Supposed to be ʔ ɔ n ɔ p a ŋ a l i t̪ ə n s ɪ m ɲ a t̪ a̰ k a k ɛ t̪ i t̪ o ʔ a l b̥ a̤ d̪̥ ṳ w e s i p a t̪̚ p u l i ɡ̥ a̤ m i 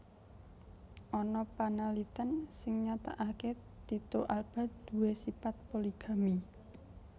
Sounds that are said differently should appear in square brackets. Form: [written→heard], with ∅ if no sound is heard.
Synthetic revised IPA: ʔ ɔ n ɔ p a [ŋ→n] a l i t̪ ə n s ɪ [m→ŋ] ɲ a t̪ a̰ [k→ʔ] a k [ɛ→e] t̪ i t̪ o ʔ a l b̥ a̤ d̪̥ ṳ w e s i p a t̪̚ p [u→o] l i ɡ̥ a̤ m i